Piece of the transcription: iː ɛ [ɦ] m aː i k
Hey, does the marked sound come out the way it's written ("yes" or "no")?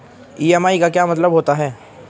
no